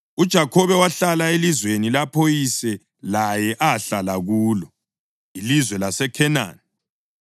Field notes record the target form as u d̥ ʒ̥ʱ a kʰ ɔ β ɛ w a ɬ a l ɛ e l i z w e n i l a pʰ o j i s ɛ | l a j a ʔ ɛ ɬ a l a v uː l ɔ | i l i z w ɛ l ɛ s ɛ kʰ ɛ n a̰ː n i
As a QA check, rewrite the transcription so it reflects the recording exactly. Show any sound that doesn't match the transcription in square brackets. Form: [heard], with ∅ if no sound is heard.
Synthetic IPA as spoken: u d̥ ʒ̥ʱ a kʰ ɔ β ɛ w a ɬ a l [a] e l i z w e n i l a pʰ o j i s ɛ | l a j [ɛ] ʔ [a] ɬ a l a [ɣ] uː l ɔ | i l i z w ɛ l [a] s ɛ kʰ ɛ n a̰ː n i